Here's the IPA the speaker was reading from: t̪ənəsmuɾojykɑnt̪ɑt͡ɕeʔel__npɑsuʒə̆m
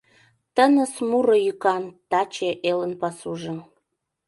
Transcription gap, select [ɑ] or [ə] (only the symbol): ə